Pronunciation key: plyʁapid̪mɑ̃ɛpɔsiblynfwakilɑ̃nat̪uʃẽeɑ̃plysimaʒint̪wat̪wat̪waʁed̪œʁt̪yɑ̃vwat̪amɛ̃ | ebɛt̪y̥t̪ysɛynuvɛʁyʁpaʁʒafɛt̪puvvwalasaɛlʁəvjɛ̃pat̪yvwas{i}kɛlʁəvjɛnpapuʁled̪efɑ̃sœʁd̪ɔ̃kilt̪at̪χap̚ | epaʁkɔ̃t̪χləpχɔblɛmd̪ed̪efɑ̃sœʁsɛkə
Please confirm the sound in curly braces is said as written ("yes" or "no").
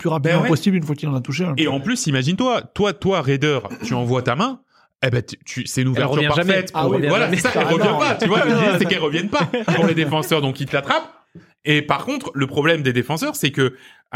no